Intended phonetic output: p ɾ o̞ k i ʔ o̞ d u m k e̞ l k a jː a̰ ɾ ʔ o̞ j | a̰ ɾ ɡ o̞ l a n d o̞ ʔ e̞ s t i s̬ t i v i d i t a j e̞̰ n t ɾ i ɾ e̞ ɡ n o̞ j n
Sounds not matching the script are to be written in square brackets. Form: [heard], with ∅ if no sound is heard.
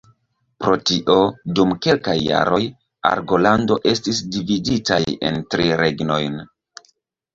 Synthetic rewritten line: p ɾ o̞ [t] i ʔ o̞ d u m k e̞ l k a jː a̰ ɾ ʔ o̞ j | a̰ ɾ ɡ o̞ l a n d o̞ ʔ e̞ s t i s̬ [d] i v i d i t a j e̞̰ n t ɾ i ɾ e̞ ɡ n o̞ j n